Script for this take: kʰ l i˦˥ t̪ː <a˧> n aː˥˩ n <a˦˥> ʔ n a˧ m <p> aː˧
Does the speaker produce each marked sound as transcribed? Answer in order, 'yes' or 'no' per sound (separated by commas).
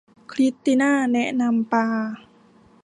no, no, yes